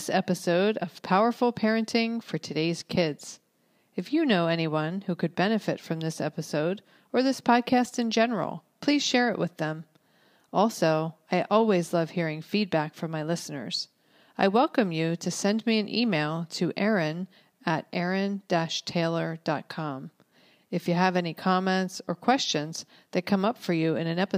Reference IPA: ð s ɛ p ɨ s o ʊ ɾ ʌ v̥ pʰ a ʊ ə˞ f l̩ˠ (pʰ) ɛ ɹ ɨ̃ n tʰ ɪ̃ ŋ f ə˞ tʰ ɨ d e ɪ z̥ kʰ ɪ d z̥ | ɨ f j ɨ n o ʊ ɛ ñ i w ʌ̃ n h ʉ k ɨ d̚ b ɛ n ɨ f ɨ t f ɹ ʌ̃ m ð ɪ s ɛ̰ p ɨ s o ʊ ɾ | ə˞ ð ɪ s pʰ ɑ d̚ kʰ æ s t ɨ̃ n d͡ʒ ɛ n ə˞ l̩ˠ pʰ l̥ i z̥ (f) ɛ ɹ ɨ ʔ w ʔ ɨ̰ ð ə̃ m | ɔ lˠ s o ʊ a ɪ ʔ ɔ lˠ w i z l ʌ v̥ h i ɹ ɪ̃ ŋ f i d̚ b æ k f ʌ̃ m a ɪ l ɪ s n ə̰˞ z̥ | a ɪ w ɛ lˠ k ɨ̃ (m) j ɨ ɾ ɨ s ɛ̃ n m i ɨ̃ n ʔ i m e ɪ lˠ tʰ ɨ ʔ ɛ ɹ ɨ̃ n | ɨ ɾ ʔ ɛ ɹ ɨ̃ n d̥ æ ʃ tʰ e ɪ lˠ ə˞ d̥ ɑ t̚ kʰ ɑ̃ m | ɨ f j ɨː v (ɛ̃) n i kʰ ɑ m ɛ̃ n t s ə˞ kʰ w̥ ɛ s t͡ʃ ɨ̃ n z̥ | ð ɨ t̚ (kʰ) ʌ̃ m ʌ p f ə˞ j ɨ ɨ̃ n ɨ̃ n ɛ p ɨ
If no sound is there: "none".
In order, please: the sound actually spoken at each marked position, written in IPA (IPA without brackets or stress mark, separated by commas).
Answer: pʰ, ʃ, m, ɛ, kʰ